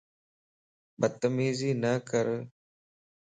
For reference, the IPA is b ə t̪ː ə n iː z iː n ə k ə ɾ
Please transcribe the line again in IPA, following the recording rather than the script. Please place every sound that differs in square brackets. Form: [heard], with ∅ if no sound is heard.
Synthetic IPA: b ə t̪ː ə [m] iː z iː n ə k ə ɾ